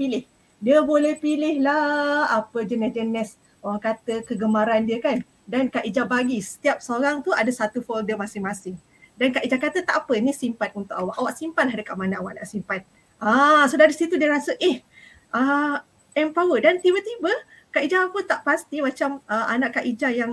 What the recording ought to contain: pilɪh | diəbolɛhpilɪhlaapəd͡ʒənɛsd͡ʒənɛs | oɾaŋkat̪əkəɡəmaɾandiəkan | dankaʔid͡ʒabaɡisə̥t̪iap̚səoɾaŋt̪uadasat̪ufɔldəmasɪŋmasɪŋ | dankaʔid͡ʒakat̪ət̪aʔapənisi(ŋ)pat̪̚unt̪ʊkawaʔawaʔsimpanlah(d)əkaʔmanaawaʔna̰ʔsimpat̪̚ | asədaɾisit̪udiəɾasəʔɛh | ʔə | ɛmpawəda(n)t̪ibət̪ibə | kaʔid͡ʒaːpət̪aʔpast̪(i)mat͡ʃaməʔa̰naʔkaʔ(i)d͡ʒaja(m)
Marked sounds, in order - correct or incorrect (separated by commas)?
incorrect, correct, correct, correct, correct, incorrect